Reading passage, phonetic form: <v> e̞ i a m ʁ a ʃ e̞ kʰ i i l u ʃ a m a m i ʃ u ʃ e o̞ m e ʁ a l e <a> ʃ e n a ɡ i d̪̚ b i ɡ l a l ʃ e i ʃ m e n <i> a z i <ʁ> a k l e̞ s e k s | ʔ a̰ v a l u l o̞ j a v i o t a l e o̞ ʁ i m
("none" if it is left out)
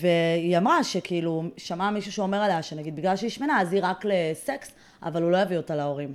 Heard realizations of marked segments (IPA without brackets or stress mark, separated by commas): v, a, a, ʁ